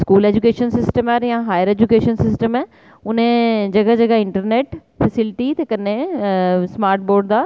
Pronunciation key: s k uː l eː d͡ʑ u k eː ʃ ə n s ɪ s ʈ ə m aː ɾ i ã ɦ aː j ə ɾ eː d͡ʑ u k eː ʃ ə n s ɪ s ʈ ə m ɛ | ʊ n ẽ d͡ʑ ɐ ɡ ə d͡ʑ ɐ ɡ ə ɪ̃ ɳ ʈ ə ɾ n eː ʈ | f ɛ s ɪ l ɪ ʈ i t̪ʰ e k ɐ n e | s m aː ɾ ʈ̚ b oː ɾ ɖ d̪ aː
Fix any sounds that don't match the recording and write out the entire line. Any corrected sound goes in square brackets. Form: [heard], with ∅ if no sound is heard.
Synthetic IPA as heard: s k uː l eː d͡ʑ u k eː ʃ ə n s ɪ s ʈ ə m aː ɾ [j] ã ɦ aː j ə ɾ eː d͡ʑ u k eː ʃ ə n s ɪ s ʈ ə m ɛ | ʊ n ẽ d͡ʑ ɐ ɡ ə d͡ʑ ɐ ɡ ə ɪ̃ ɳ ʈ ə ɾ n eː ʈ | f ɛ s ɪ l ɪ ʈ i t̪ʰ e k ɐ n e | s m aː ɾ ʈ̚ b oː ɾ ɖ d̪ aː